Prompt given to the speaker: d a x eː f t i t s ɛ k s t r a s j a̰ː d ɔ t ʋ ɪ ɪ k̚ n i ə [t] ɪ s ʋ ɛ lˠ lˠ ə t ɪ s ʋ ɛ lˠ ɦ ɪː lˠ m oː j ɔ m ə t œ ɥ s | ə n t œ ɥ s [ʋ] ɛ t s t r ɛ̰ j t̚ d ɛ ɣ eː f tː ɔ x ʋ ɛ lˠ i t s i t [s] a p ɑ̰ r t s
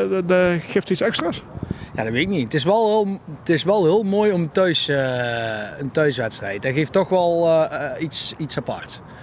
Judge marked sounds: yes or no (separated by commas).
yes, yes, yes